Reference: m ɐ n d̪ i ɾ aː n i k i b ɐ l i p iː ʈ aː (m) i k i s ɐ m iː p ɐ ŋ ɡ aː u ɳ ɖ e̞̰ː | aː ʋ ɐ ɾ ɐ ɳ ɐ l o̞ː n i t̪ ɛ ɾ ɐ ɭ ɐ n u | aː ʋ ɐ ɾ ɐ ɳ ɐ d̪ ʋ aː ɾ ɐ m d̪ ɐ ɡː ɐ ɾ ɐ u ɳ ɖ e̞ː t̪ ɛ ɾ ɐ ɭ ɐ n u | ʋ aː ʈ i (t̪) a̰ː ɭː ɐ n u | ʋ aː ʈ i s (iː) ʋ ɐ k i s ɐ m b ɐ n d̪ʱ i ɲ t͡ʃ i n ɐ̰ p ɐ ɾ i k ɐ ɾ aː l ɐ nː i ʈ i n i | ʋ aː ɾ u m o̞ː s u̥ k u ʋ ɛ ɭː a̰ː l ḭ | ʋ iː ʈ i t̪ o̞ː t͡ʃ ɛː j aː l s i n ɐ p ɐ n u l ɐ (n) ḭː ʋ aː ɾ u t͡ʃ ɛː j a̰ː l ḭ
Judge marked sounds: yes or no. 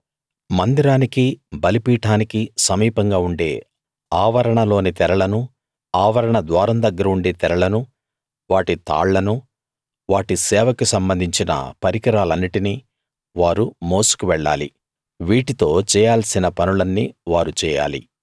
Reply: no, yes, no, no

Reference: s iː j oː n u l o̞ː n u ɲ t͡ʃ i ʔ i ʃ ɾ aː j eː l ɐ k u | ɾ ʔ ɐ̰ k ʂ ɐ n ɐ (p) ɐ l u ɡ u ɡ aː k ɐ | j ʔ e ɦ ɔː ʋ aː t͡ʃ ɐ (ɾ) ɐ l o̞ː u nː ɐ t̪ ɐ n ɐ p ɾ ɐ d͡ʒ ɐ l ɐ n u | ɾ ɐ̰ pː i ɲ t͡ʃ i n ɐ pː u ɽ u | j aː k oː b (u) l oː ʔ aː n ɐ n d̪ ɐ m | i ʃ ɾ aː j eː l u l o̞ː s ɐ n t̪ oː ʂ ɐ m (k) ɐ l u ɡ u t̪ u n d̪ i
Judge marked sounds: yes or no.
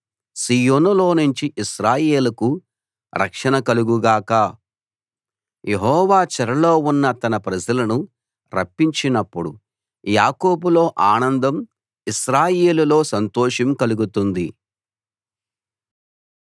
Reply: no, yes, yes, yes

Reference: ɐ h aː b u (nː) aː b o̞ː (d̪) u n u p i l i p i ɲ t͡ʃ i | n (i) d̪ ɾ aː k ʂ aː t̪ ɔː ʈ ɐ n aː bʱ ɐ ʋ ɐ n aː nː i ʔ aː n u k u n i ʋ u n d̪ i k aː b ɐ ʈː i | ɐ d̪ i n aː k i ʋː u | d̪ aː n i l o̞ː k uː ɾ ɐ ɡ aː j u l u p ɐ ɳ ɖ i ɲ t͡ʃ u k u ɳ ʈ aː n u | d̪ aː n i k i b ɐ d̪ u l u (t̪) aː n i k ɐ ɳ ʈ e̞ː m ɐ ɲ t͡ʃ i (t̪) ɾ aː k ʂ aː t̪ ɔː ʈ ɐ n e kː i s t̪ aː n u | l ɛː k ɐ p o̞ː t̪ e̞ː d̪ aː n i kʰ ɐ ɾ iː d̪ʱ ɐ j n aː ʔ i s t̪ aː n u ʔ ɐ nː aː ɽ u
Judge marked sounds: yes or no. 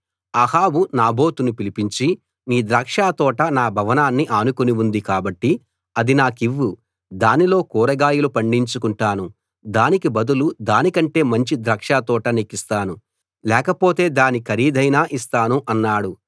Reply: no, no, no, no, no

